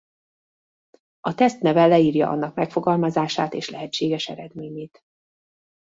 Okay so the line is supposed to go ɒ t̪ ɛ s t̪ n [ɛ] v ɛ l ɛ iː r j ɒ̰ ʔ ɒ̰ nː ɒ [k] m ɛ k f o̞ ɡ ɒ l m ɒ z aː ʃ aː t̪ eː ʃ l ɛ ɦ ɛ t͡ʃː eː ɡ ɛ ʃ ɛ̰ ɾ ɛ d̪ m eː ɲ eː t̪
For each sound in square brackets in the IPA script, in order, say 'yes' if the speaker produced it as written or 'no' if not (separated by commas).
yes, yes